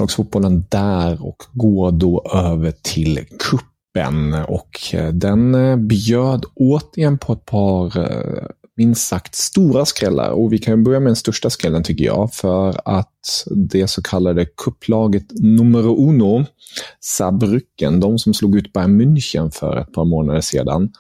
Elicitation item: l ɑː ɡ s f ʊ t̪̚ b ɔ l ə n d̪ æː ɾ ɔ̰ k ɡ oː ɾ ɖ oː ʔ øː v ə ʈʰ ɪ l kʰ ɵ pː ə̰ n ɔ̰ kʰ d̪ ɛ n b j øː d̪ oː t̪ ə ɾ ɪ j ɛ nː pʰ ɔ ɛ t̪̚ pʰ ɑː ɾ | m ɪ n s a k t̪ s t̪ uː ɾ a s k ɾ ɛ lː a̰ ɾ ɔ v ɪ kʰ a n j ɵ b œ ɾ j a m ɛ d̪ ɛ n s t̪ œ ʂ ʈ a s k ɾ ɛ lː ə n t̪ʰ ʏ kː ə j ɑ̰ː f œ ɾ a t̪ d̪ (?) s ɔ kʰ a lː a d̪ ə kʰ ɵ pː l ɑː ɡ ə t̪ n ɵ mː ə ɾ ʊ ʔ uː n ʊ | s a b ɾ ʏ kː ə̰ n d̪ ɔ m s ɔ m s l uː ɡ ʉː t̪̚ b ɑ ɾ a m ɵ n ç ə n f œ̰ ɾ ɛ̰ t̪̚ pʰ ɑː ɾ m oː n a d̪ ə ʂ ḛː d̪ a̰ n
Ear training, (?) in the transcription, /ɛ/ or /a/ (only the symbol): ɛ